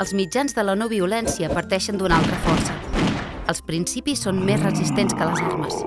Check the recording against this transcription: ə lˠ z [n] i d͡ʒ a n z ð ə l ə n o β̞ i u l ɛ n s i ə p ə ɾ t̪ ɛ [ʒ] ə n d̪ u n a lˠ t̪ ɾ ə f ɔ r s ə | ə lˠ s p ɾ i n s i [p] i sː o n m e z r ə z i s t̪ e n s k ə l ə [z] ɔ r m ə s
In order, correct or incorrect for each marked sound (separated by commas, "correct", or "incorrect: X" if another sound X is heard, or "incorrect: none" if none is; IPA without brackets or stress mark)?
incorrect: m, incorrect: ʃ, correct, correct